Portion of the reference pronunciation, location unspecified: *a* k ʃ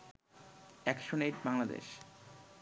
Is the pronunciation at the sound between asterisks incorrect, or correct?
incorrect